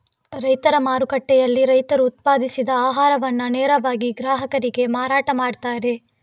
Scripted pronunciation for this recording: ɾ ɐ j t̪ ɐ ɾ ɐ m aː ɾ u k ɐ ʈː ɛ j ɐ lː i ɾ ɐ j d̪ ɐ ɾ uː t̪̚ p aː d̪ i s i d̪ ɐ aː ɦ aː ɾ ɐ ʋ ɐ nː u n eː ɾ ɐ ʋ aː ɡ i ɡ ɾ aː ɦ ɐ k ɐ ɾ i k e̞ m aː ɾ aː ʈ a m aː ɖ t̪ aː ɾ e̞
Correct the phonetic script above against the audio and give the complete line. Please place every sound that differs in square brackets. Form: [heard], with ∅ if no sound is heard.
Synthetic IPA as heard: ɾ ɐ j t̪ ɐ ɾ ɐ m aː ɾ u k ɐ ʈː ɛ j ɐ lː i ɾ ɐ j [t̪] ɐ ɾ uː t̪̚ p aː d̪ i s i d̪ ɐ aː ɦ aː ɾ ɐ ʋ ɐ nː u n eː ɾ ɐ ʋ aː ɡ i ɡ ɾ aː ɦ ɐ k ɐ ɾ i [ɡ] e̞ m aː ɾ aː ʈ [ɐ] m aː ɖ t̪ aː ɾ e̞